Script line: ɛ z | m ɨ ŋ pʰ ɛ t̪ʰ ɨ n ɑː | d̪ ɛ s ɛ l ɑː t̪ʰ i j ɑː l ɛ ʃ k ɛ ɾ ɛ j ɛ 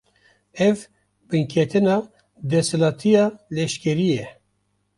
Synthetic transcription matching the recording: ɛ v | b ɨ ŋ kʰ ɛ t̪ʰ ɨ n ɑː | d̪ ɛ s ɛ l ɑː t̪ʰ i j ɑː l ɛ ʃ k ɛ ɾ i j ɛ